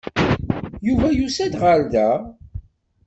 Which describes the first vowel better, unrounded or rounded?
rounded